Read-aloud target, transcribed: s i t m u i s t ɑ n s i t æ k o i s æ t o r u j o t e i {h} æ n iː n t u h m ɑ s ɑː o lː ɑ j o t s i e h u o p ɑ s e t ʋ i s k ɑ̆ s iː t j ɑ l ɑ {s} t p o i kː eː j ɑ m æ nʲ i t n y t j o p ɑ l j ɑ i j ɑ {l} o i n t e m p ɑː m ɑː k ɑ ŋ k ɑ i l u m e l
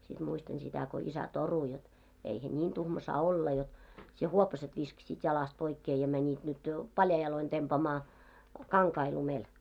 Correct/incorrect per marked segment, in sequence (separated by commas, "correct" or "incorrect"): correct, correct, correct